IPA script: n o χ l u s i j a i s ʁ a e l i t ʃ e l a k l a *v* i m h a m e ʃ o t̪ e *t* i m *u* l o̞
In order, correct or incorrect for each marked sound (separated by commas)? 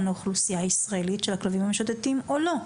correct, correct, incorrect